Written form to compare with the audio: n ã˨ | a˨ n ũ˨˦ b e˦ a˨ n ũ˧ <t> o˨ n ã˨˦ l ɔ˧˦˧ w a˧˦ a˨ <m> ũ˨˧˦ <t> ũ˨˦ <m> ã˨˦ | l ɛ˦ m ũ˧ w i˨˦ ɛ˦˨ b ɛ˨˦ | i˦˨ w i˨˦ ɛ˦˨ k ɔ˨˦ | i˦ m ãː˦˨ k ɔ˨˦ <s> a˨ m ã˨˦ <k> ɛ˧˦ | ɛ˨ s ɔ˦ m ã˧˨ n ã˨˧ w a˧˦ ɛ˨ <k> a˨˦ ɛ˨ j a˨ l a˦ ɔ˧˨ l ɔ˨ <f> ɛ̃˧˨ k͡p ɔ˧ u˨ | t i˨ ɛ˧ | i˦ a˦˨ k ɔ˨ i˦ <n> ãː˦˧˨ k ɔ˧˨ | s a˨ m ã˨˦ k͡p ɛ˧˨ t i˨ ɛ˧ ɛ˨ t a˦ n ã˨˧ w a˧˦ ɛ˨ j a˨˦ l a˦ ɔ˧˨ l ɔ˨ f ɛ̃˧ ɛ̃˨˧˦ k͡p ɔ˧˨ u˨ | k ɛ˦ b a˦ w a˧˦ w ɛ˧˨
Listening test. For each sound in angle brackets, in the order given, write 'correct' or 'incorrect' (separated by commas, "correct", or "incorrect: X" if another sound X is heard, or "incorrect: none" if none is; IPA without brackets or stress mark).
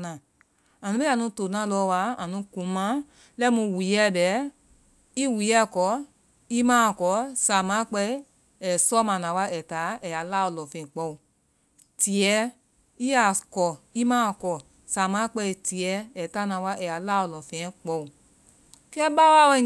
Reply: correct, incorrect: n, incorrect: k, correct, correct, incorrect: k͡p, incorrect: t, correct, incorrect: m